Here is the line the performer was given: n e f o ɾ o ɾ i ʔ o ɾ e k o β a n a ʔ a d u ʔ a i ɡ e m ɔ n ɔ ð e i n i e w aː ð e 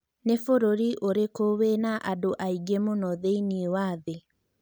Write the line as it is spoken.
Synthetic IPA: n e f o ɾ o ɾ i ʔ o ɾ e k o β e n a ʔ a d o ʔ a i ɡ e m o n ɔ ð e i n i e w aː ð e